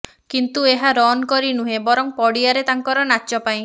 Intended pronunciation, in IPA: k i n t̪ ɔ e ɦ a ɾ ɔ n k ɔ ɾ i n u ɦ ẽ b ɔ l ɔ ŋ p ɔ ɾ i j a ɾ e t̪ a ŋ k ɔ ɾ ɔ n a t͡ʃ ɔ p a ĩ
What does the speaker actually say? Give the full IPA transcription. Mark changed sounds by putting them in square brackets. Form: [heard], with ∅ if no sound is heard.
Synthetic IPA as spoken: k i n t̪ [u] e ɦ a ɾ ɔ n k ɔ ɾ i n u ɦ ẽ b ɔ [ɾ] ɔ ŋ p ɔ [ɽ] i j a ɾ e t̪ a ŋ k ɔ ɾ ɔ n a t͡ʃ ɔ p a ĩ